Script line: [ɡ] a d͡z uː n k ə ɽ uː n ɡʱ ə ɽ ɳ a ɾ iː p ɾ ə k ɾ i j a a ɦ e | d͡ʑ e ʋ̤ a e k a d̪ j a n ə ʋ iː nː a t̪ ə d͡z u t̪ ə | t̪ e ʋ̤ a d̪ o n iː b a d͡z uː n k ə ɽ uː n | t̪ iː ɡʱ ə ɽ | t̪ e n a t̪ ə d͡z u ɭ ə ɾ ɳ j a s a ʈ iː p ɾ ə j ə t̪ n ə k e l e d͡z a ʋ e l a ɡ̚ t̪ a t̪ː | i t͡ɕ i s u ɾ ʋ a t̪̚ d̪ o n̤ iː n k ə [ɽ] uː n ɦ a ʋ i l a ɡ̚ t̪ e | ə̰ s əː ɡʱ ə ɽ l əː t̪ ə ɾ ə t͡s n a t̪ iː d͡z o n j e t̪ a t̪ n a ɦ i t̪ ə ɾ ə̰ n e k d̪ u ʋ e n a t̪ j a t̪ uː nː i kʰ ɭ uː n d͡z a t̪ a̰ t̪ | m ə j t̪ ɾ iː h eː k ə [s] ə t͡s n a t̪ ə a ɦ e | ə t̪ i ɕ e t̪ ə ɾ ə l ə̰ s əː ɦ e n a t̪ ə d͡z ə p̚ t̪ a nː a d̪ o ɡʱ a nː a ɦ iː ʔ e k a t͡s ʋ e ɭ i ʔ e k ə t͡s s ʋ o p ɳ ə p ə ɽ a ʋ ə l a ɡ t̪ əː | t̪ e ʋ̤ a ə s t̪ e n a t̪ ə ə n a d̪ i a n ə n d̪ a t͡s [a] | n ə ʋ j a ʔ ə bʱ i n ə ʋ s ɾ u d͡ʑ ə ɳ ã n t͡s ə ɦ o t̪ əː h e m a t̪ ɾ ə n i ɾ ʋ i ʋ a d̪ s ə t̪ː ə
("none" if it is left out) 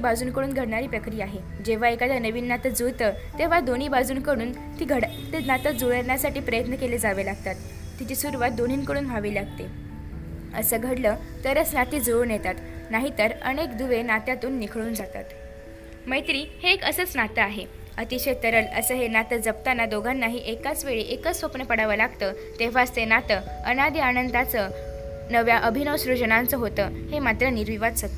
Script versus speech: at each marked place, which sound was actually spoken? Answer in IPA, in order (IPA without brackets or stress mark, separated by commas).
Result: b, ɽ, s, ə